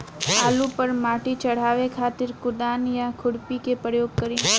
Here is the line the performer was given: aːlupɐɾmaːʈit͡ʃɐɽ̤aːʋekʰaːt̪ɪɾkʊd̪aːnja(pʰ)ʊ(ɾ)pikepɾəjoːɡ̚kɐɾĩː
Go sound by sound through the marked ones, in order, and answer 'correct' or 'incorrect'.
incorrect: kʰ, incorrect: ɽ

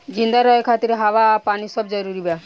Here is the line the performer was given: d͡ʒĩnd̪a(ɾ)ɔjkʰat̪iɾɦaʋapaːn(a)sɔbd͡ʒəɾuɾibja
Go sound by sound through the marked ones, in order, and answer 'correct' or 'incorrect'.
correct, incorrect: i

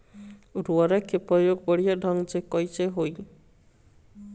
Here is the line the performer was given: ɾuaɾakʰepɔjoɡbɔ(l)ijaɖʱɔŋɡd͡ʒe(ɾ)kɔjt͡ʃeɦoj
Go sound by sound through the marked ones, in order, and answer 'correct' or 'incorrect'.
incorrect: ɽ, incorrect: none

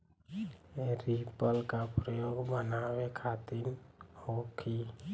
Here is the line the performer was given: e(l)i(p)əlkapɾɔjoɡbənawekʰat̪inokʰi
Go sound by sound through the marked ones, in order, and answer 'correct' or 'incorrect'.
incorrect: ɾ, correct

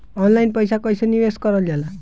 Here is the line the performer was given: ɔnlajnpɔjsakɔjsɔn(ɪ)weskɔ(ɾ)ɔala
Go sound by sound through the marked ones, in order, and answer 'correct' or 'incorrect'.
incorrect: i, correct

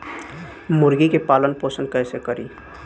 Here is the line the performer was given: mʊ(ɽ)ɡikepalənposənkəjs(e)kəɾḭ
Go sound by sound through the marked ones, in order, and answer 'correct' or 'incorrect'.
incorrect: ɾ, correct

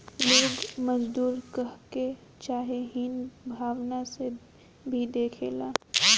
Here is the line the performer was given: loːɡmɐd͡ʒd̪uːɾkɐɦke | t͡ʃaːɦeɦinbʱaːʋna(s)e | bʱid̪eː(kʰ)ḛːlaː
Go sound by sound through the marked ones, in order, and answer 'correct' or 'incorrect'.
correct, correct

